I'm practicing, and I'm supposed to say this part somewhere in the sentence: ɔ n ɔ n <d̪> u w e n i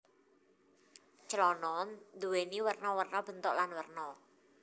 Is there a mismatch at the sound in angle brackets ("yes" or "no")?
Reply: no